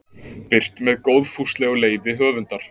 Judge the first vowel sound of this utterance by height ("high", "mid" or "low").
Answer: high